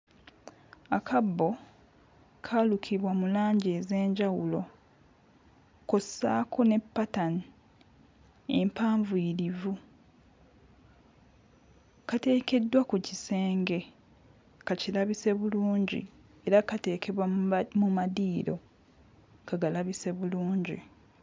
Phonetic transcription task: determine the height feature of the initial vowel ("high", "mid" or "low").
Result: low